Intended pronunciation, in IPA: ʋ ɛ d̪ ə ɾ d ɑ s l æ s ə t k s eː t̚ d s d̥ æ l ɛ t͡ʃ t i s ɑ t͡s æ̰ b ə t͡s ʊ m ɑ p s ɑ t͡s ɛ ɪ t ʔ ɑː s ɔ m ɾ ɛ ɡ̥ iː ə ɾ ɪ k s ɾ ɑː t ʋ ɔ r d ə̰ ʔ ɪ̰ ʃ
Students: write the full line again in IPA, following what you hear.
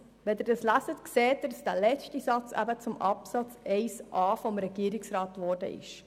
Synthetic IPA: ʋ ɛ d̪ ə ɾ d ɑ s l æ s ə t k s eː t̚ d s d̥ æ l ɛ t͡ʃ t i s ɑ t͡s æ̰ b ə t͡s ʊ m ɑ p s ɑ t͡s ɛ ɪ s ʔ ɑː f ɔ m ɾ ɛ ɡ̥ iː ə ɾ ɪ k s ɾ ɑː t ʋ ɔ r d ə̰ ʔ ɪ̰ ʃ